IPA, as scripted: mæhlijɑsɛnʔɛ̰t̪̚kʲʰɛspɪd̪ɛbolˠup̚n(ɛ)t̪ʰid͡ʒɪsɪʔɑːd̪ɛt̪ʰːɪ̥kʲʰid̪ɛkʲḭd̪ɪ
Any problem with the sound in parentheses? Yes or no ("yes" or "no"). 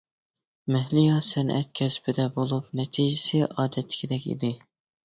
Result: no